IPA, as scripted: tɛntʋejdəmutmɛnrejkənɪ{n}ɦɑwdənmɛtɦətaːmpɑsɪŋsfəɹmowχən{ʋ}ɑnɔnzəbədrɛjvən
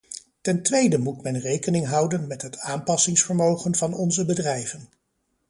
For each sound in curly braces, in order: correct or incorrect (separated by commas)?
incorrect, incorrect